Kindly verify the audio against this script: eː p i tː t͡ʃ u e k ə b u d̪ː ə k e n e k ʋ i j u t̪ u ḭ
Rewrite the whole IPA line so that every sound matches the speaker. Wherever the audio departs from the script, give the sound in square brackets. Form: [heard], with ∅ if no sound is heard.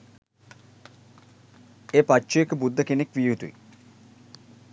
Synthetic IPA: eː p [a] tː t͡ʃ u e k ə b u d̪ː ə k e n e k ʋ i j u t̪ u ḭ